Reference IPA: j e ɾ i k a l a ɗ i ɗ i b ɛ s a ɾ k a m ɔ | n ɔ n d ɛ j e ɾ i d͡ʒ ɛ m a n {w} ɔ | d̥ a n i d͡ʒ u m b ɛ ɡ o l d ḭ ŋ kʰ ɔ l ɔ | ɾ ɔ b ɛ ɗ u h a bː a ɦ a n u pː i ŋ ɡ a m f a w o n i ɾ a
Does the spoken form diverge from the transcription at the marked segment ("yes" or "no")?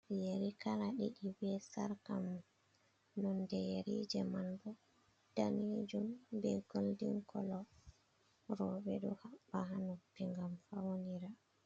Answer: yes